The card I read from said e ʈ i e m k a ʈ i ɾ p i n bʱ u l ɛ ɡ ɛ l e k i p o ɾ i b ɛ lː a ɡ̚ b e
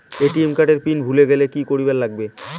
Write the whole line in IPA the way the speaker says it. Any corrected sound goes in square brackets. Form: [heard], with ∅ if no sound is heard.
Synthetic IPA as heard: e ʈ i e m k a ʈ [e] ɾ p i n bʱ u l [e] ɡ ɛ l e k i [k] o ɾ i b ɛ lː a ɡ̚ b e